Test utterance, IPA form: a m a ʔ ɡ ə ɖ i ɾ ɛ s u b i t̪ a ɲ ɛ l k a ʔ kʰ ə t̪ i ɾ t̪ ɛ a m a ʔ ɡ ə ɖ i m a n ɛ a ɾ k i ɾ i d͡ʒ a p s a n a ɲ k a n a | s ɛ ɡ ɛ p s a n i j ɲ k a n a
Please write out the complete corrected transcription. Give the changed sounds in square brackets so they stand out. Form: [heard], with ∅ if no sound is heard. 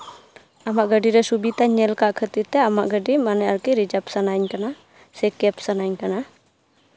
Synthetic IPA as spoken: a m a ʔ ɡ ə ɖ i ɾ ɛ s u b i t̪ a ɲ ɛ l k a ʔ kʰ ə t̪ i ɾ t̪ ɛ a m a ʔ ɡ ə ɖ i m a n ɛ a ɾ k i ɾ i d͡ʒ a p s a n a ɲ k a n a | s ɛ [k] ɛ p s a n [a] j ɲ k a n a